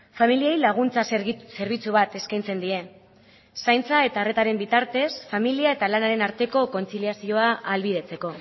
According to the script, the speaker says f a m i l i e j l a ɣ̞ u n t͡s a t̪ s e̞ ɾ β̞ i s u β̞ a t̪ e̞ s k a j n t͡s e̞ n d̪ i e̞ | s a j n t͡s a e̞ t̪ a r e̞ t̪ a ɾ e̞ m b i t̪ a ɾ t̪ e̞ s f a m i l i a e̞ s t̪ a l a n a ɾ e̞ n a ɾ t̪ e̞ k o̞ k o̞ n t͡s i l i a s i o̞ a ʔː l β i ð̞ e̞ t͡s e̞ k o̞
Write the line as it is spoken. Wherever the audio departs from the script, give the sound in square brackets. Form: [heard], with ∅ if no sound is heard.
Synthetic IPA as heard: f a m i l i e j l a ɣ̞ u n t͡s a [∅] s e̞ ɾ β̞ i [t͡s] u β̞ a t̪ e̞ s k a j n t͡s e̞ n d̪ i e̞ | s a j n t͡s a e̞ t̪ a r e̞ t̪ a ɾ e̞ m b i t̪ a ɾ t̪ e̞ s f a m i l i a e̞ [∅] t̪ a l a n a ɾ e̞ n a ɾ t̪ e̞ k o̞ k o̞ n t͡s i l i a s i o̞ a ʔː l β i ð̞ e̞ t͡s e̞ k o̞